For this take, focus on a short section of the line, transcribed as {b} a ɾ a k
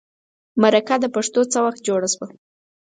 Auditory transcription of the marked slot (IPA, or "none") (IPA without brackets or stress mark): m